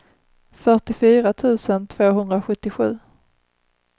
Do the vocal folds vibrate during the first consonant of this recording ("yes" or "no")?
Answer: no